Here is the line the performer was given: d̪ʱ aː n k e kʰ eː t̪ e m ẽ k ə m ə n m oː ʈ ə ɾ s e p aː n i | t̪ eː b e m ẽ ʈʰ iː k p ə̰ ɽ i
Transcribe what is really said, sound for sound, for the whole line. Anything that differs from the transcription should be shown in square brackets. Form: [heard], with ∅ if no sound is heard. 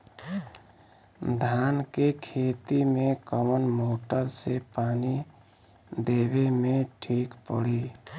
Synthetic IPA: d̪ʱ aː n k e kʰ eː t̪ [i] m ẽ k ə m ə n m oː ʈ ə ɾ s e p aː n i | [d̪] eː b e m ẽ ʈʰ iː k p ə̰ ɽ i